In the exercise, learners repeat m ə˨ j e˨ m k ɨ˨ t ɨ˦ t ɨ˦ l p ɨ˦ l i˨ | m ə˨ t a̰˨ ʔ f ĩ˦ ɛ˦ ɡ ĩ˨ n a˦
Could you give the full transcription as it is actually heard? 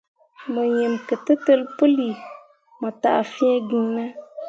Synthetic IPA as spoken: m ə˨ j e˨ m k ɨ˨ t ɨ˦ t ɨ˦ l p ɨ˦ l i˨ | m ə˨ t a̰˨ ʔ f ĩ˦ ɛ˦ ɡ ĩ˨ n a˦